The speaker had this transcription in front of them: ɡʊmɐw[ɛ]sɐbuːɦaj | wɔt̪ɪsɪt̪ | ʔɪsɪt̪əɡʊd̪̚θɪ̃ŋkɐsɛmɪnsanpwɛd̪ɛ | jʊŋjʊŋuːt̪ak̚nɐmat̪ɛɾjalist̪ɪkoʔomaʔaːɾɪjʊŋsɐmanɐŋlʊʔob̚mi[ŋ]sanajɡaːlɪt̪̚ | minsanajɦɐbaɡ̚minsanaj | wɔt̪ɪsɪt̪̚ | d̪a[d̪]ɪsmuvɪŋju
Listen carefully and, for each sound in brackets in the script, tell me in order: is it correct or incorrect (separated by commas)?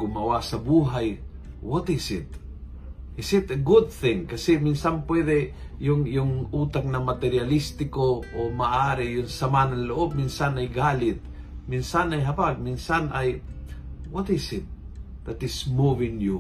incorrect, incorrect, incorrect